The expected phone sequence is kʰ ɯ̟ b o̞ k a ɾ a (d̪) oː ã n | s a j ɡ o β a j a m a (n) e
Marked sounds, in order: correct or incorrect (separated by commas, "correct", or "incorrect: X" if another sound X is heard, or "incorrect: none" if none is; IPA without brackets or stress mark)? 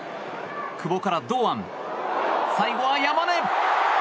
correct, correct